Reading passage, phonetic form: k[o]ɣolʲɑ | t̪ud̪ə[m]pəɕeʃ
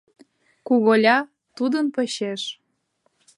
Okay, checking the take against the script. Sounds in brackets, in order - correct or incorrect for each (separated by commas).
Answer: incorrect, incorrect